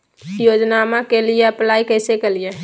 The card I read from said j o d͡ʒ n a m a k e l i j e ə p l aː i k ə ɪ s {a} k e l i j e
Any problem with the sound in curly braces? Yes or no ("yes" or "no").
yes